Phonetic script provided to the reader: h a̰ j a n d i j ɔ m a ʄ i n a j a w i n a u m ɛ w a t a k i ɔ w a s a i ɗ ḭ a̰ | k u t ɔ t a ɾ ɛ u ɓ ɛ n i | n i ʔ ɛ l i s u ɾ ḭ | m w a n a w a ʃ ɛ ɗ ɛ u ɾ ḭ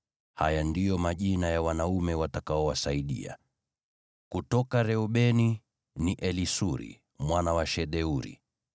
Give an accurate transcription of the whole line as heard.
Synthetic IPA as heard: h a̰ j a n d i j ɔ m a ʄ i n a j a w a n a u m ɛ w a t a k a ɔ w a s a i ɗ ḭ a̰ | k u t ɔ k a ɾ ɛ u ɓ ɛ n i | n i ʔ ɛ l i s u ɾ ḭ | m w a n a w a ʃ ɛ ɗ ɛ u ɾ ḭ